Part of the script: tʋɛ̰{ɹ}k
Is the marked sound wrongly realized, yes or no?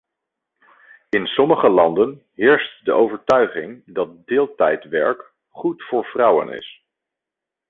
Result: no